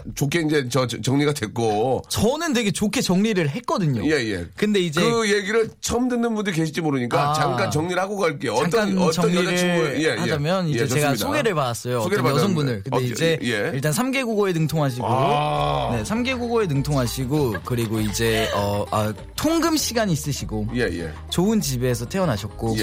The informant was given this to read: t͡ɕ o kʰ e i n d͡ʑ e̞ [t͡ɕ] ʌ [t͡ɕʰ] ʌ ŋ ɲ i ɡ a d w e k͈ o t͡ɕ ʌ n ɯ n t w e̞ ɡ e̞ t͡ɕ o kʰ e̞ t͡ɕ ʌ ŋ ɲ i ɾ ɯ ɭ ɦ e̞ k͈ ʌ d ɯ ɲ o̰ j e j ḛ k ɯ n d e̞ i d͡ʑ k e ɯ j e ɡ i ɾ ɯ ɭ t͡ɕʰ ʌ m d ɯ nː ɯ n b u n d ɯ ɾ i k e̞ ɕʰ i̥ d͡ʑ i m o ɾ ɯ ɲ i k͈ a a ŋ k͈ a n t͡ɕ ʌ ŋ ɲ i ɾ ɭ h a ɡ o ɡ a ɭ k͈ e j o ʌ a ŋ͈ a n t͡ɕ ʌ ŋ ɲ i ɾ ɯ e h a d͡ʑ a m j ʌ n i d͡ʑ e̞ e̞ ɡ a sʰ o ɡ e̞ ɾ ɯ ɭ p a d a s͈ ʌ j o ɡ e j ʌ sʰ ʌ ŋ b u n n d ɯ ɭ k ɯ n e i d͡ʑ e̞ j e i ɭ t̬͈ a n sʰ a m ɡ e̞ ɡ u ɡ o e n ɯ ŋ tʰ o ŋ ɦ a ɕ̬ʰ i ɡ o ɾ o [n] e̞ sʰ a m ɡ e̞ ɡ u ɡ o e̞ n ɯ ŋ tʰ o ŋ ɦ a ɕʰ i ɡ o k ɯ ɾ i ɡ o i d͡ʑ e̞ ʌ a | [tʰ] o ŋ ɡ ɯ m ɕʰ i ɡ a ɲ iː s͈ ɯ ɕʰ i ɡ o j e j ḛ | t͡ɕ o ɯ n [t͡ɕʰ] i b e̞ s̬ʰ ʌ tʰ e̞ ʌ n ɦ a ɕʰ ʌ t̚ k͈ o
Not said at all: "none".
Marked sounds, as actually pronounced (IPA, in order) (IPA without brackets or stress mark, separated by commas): t͡ɕ, t͡ɕ, n, tʰ, t͡ɕ